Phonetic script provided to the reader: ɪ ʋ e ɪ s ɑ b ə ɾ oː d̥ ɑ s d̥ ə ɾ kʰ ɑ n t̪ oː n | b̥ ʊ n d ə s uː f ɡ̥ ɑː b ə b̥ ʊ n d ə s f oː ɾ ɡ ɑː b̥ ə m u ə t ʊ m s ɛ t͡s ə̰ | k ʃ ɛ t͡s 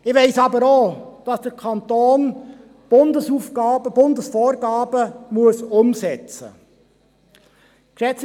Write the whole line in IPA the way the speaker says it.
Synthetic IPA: ɪ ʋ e ɪ s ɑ b ə ɾ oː d̥ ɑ s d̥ ə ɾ kʰ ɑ n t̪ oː n | b̥ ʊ n d ə s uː f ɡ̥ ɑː b ə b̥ ʊ n d ə s f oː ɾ ɡ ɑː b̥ ə m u ə s ʊ m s ɛ t͡s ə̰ | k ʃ ɛ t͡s